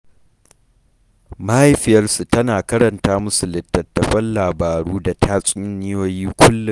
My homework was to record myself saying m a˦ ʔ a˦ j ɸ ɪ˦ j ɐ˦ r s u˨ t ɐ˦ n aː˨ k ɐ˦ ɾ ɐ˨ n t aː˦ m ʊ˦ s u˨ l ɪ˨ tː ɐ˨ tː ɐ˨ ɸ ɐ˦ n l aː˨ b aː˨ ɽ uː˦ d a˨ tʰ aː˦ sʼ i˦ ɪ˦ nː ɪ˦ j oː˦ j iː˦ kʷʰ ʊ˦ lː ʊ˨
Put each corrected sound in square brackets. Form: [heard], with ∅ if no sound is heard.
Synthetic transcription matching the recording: m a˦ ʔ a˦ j ɸ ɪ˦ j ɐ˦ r s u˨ t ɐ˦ n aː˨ k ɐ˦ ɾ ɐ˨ n t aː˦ m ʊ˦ s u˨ l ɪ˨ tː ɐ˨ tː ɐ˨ ɸ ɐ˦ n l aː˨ b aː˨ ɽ uː˦ d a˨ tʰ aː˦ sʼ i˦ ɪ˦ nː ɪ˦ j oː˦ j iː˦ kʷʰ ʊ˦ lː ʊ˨

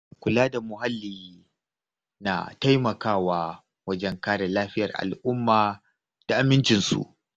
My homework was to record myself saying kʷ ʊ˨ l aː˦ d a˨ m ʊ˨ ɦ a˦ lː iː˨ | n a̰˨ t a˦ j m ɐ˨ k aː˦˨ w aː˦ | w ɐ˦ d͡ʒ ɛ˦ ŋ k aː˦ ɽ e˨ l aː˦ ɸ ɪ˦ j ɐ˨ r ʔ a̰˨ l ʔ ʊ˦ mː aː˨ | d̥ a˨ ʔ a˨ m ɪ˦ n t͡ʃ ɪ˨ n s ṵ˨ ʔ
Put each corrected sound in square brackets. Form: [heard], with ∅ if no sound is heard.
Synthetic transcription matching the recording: kʷ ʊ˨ l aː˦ d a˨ m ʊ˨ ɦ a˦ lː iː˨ | n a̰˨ t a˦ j m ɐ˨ k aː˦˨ w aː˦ | w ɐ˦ d͡ʒ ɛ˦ ŋ k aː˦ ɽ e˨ l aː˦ ɸ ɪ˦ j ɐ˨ r ʔ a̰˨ l ʔ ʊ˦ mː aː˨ | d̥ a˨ ʔ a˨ m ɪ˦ n t͡ʃ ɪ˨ n s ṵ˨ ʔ

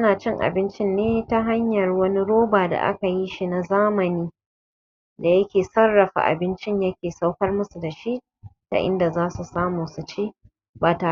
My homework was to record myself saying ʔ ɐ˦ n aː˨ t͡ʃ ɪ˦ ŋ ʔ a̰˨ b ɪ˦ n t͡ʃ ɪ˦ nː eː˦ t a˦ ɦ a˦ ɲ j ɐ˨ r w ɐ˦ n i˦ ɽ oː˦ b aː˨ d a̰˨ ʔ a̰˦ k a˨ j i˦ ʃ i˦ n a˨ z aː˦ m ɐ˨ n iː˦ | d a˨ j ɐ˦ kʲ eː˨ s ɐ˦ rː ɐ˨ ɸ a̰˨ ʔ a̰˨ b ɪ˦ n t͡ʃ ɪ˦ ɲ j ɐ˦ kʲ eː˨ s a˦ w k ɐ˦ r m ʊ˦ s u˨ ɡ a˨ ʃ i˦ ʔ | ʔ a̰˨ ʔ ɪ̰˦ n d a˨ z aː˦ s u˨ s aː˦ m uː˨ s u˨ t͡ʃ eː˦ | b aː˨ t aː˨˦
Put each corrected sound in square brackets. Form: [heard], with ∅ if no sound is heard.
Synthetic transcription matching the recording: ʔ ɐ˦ n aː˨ t͡ʃ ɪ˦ ŋ ʔ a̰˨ b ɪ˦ n t͡ʃ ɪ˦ nː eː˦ t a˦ ɦ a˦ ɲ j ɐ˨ r w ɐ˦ n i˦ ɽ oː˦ b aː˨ d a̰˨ ʔ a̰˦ k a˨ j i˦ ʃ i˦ n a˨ z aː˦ m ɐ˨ n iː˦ | d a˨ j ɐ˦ kʲ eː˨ s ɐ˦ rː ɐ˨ ɸ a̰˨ ʔ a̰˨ b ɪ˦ n t͡ʃ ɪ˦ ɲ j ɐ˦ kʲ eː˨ s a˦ w k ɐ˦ r m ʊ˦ s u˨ [d] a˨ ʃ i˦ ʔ | [t] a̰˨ ʔ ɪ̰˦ n d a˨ z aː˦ s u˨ s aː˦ m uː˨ s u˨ t͡ʃ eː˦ | b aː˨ t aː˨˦

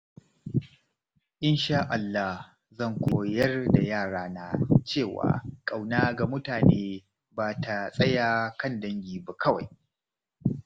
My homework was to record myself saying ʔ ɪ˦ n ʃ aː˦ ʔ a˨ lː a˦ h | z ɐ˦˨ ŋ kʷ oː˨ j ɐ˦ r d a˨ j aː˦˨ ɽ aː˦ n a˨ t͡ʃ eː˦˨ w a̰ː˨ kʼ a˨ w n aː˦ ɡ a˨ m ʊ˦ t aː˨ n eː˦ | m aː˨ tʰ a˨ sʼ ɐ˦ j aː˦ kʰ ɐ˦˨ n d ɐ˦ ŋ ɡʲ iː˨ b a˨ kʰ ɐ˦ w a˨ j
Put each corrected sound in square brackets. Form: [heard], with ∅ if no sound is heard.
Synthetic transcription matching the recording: ʔ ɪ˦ n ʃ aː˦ ʔ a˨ lː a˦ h | z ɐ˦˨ ŋ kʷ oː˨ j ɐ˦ r d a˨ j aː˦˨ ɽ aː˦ n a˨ t͡ʃ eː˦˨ w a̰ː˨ kʼ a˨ w n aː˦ ɡ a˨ m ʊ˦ t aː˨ n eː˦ | [b] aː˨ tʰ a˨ sʼ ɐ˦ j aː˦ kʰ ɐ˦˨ n d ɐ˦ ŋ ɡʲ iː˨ b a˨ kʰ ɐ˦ w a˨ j

